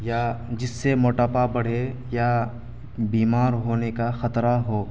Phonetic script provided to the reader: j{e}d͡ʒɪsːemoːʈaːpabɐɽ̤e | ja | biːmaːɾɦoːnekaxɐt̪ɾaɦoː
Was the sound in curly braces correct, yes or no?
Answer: no